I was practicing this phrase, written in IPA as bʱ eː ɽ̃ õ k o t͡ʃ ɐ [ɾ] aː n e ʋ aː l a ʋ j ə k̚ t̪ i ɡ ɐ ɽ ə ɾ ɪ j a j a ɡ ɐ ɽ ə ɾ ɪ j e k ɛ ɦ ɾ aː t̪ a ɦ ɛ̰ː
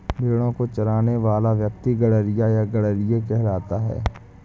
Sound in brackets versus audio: correct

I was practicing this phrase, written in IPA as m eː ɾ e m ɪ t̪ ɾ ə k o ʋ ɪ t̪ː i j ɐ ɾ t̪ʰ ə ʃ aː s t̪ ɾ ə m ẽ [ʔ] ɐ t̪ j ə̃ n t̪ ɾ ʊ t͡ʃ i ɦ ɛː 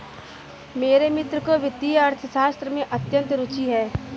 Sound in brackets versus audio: correct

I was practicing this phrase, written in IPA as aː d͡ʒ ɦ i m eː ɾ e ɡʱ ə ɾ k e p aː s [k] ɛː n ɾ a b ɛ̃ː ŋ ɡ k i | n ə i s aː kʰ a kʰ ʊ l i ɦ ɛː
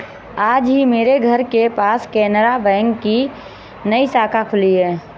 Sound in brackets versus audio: correct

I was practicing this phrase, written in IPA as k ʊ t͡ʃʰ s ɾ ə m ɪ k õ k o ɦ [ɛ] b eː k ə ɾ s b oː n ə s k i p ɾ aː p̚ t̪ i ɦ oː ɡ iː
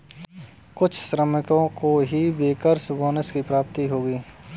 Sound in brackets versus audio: incorrect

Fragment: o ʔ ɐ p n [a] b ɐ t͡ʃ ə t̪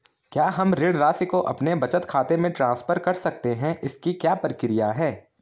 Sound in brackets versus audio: incorrect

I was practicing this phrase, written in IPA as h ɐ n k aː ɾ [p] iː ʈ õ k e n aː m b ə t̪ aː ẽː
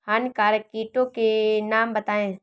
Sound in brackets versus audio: incorrect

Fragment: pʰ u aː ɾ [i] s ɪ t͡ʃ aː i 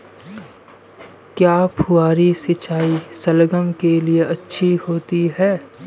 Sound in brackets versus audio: correct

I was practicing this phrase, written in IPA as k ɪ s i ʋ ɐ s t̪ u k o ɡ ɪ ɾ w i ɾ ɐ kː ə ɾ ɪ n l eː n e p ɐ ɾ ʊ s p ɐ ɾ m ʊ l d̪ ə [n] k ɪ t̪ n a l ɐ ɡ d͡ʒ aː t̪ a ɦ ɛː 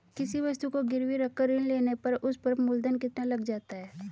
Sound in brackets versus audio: correct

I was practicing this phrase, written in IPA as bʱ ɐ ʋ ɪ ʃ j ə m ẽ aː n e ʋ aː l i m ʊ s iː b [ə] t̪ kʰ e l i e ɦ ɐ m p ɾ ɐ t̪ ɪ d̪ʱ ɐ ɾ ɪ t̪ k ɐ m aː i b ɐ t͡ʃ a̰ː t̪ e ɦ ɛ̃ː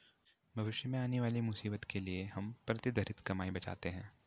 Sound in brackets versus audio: correct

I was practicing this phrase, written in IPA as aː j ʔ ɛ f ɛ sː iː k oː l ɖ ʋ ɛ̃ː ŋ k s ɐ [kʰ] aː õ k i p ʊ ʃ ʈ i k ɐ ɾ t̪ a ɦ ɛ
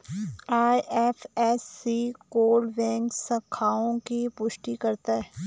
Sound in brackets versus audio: correct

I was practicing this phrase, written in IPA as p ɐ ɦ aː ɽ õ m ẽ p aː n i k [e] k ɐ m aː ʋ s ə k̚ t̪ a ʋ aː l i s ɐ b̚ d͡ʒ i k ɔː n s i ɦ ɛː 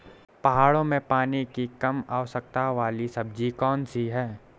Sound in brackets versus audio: incorrect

